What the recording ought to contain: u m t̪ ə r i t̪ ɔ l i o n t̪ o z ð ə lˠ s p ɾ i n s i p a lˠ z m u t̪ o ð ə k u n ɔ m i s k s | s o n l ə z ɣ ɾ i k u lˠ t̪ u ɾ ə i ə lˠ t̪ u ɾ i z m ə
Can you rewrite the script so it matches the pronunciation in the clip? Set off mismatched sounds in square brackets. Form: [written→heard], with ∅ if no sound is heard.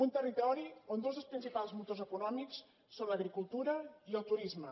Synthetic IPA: u [m→n] t̪ ə r i t̪ ɔ [l→ɾ] i o n [t̪→d̪] o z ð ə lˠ s p ɾ i n s i p a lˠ z m u t̪ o [ð→z] ə k u n ɔ m i [s→∅] k s | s o n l ə [z→∅] ɣ ɾ i k u lˠ t̪ u ɾ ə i ə lˠ t̪ u ɾ i z m ə

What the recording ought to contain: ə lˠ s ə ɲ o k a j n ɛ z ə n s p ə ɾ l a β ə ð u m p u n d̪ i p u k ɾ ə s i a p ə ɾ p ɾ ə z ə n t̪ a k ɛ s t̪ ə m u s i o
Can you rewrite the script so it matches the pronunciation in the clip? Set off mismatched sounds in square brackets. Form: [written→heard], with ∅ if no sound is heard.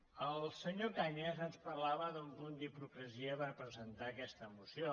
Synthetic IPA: ə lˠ s ə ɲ o k a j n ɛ z ə n s p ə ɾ l a β ə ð u m p u n d̪ i p u k ɾ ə [s→z] i [a→ə] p ə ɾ p ɾ ə z ə n t̪ a k ɛ s t̪ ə m u s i o

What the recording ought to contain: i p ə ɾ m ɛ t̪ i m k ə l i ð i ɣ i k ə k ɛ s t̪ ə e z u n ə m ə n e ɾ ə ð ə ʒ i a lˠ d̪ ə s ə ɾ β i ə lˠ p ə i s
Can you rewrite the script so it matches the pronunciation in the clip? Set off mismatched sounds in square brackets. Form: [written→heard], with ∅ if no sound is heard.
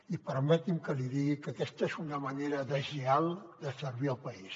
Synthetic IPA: i p ə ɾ m ɛ t̪ i m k ə l i ð i ɣ i k ə k ɛ s t̪ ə e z u n ə m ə n e ɾ ə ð ə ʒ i a lˠ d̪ ə s ə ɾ β i ə lˠ p ə i s

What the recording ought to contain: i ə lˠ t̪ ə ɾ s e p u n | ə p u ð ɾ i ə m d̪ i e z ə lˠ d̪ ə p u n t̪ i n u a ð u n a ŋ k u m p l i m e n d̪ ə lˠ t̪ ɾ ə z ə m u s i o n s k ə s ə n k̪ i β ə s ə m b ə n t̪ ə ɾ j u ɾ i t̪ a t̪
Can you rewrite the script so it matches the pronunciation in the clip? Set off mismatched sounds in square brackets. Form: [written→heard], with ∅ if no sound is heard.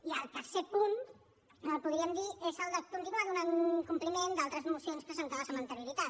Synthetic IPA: i ə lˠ t̪ ə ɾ s e p u n | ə p u ð ɾ i ə m d̪ i e z ə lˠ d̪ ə [p→k] u n t̪ i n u a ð u n a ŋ k u m p l i m e n d̪ [ə→a] lˠ t̪ ɾ ə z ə m u s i o n s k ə s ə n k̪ [i→a] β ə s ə m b ə n t̪ ə ɾ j u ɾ i t̪ a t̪

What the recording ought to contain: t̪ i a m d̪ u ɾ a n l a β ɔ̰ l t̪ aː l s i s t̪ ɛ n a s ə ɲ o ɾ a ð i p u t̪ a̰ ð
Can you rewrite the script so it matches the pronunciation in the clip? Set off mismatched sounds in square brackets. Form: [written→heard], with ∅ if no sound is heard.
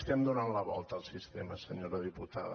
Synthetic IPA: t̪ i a m d̪ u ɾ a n l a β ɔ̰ l t̪ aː l s i s t̪ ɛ [n→m] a s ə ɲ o ɾ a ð i p u t̪ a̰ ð

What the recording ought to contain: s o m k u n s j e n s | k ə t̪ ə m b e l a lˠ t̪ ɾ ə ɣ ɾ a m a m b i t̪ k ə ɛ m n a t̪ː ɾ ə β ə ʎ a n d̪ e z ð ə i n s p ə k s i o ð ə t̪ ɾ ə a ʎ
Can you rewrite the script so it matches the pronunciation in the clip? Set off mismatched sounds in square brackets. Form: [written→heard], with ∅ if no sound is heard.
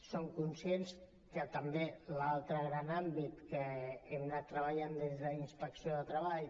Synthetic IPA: s o [m→ŋ] k u n s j e n s | k ə t̪ ə m b e l a lˠ t̪ ɾ ə ɣ ɾ a [m→n] a m b i t̪ k ə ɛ m n a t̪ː ɾ ə β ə ʎ a n d̪ e z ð ə i n s p ə k s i o ð ə t̪ ɾ ə a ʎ

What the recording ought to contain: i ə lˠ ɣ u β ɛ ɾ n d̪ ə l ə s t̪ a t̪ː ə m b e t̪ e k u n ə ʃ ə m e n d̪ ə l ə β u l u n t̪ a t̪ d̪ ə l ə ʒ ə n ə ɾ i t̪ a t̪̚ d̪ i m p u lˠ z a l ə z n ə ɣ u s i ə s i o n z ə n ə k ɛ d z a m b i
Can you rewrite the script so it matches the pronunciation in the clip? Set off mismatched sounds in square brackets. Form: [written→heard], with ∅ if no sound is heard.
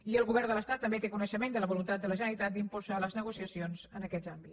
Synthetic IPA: i ə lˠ ɣ u β ɛ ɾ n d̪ ə l ə s t̪ a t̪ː ə m b e t̪ e k u n ə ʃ ə m e n d̪ ə l ə β u l u n t̪ a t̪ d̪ ə l ə ʒ ə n ə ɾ i t̪ a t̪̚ d̪ i m p u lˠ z a l ə z n ə ɣ u s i ə s i o n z ə n ə k ɛ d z a m b i

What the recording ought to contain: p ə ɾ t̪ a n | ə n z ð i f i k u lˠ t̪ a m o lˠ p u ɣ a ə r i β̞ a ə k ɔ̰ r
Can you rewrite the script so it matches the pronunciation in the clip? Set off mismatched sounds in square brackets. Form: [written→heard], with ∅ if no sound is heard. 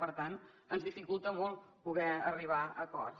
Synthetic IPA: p ə ɾ t̪ a n | ə n z ð i f i k u lˠ t̪ [a→ə] m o lˠ p u ɣ [a→ɛ] ə r i β̞ a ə k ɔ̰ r

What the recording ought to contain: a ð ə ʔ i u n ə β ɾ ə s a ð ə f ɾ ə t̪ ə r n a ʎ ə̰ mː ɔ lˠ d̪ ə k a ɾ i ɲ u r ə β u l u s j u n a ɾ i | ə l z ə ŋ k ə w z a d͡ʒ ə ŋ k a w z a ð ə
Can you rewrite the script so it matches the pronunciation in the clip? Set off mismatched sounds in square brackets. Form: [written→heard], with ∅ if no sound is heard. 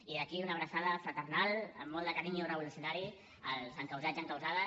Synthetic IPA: [a→i] ð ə [ʔ→k] i u n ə β ɾ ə s a ð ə f ɾ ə t̪ ə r n a [ʎ→l] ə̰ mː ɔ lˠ d̪ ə k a ɾ i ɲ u r ə β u l u s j u n a ɾ i | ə l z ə ŋ k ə w z a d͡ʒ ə ŋ k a w z a ð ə

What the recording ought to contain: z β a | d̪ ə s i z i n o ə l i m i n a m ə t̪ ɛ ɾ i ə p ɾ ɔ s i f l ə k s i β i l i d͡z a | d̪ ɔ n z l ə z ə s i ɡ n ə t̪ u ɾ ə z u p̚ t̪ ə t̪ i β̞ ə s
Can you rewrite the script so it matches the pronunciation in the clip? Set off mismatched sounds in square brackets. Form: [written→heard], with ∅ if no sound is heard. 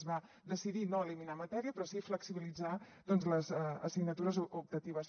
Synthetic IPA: z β a | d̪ ə s i [z→ð] i n o ə l i m i n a m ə t̪ ɛ ɾ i ə p ɾ ɔ s i f l ə k s i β i l i d͡z a | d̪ ɔ n z l ə z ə s i ɡ n ə t̪ u ɾ ə z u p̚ t̪ ə t̪ i β̞ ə s

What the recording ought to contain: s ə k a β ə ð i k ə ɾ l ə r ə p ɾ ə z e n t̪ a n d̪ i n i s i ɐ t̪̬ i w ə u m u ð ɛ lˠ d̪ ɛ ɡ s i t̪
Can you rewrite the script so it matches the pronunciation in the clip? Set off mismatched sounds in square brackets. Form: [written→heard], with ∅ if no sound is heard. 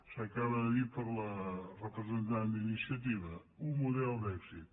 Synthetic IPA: s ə k a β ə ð i [k→p] ə ɾ l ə r ə p ɾ ə z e n t̪ a n d̪ i n i s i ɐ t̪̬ i [w→β] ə u m u ð ɛ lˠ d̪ ɛ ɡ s i t̪

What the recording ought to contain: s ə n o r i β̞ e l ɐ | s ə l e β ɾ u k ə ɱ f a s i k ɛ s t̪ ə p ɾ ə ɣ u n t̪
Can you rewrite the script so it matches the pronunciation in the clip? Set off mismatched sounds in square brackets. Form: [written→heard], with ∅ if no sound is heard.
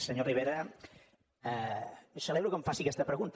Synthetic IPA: s ə [n→ɲ] o r i β̞ e [l→ɾ] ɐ | s ə l e β ɾ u k ə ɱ f a s i k ɛ s t̪ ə p ɾ ə ɣ u n t̪

